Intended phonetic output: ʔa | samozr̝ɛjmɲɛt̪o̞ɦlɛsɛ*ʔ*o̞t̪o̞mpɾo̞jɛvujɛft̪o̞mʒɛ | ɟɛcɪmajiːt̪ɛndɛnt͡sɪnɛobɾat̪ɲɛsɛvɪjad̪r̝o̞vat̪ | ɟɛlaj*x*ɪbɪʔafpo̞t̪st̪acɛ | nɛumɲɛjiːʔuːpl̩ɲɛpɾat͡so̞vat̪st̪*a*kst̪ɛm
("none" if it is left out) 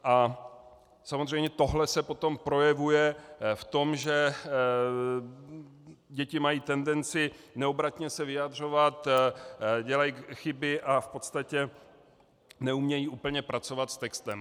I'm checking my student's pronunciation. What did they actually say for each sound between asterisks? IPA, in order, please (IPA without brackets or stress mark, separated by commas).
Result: p, x, ɛ